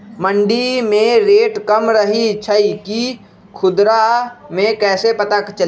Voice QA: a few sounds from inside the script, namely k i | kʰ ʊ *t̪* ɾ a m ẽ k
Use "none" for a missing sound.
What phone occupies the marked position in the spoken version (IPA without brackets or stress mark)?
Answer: d̪